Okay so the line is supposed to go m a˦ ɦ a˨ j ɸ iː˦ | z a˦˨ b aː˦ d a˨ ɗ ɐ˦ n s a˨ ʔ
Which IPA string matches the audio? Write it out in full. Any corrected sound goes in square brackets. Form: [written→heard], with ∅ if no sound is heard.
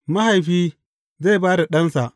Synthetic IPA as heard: m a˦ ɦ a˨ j ɸ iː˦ | z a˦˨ b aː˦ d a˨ ɗ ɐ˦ n s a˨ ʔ